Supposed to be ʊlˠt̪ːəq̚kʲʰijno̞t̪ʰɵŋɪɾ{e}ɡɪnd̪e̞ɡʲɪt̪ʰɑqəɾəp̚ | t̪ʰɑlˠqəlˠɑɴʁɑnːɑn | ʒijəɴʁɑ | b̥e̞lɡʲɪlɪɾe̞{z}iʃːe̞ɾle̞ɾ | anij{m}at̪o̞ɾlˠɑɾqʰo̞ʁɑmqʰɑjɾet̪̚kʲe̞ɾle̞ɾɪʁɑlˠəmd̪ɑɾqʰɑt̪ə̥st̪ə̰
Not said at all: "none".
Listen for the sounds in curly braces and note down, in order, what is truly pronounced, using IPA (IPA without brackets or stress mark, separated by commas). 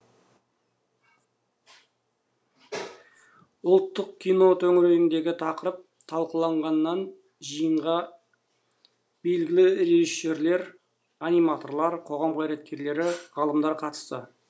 e, ʒ, m